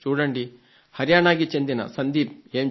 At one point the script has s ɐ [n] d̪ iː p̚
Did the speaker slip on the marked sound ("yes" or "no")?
no